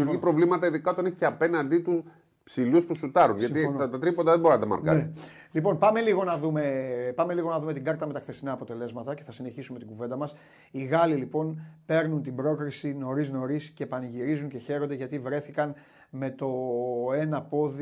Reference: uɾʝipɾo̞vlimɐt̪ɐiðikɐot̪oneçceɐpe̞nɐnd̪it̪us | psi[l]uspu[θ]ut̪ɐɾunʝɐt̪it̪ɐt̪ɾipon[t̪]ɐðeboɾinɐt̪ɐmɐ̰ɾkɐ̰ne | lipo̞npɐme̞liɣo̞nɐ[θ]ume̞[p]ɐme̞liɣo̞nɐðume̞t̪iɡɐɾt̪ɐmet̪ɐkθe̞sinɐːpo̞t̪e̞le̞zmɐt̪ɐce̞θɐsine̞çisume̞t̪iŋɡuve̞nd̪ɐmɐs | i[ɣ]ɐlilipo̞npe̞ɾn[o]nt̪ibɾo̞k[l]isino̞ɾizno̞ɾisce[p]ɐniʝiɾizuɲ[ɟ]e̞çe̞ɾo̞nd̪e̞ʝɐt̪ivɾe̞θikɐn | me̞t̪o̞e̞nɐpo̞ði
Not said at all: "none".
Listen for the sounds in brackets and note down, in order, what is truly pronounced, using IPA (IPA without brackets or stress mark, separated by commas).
l, s, d̪, ð, p, ɣ, u, ɾ, p, c